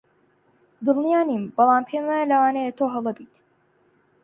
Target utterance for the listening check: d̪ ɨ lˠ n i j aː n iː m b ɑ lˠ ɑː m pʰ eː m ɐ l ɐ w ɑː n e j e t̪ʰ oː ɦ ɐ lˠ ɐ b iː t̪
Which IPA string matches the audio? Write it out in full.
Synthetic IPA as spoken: d̪ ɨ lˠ n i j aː n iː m b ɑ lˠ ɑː m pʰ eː m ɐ l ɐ w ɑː n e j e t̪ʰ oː ɦ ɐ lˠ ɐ b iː t̪